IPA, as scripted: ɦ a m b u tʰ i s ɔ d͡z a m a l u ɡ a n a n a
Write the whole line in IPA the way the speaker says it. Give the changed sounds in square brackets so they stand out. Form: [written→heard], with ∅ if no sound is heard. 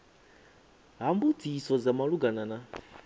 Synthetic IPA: ɦ a m b u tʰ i s ɔ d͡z a m a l u ɡ a n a n a